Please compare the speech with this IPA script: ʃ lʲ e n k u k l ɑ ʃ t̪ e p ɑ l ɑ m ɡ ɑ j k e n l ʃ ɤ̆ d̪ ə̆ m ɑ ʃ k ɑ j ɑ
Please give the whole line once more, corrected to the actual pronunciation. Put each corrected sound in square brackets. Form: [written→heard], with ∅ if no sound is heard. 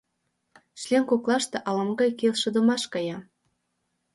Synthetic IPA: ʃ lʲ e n k [u→o] k l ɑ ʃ t̪ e [p→ʔ] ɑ l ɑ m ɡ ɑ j k e [n→∅] l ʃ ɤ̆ d̪ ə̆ m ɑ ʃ k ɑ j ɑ